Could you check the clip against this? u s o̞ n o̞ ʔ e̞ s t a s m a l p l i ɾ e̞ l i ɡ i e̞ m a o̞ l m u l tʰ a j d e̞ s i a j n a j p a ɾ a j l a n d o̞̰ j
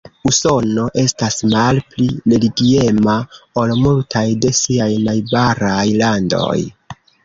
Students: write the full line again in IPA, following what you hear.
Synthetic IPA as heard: u s o̞ n o̞ ʔ e̞ s t a s m a l p l i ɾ e̞ l i ɡ i e̞ m a o̞ l m u l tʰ a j d e̞ s i a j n a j b a ɾ a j l a n d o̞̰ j